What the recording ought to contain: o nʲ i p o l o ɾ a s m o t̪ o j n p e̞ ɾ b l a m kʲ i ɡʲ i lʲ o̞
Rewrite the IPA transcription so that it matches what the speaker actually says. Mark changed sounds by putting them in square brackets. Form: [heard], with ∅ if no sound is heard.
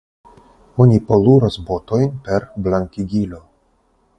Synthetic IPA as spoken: o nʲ i p o l [u] ɾ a s [b] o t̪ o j n p e̞ ɾ b l a [ŋ] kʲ i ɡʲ i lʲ o̞